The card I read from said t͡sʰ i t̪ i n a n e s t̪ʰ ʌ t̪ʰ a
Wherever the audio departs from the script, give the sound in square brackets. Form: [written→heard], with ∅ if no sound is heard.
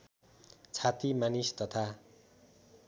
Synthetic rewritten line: t͡sʰ [i→a] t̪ i [n→m] a n [e→i] s [t̪ʰ→t̪] ʌ t̪ʰ a

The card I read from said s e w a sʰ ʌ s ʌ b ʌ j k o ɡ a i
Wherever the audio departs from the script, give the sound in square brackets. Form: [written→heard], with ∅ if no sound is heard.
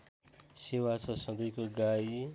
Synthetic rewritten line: s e w a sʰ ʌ s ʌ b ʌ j k o ɡ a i

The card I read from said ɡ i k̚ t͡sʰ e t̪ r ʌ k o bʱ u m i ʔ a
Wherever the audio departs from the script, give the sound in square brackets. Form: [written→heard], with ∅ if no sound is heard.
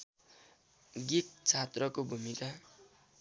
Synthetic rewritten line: ɡ i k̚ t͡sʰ [e→a] t̪ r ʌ k o bʱ u m i [ʔ→k] a

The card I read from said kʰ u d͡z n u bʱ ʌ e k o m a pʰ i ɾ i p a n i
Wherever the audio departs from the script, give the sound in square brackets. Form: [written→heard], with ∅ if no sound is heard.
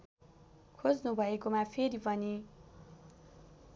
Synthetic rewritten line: kʰ [u→o] d͡z n u bʱ ʌ e k o m a pʰ [i→e] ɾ i p [a→ʌ] n i

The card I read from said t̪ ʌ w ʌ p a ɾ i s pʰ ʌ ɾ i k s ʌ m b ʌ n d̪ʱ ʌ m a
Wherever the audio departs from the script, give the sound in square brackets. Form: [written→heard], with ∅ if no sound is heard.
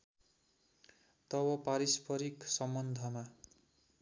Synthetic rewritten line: t̪ ʌ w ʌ p a ɾ i s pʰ ʌ ɾ i k s ʌ m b ʌ n d̪ʱ ʌ m a

